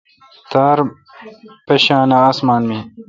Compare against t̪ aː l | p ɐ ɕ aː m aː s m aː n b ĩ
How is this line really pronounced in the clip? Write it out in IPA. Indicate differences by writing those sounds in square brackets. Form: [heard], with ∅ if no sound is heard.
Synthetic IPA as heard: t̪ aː [ɾ] | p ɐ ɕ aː [n] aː s m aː n [m] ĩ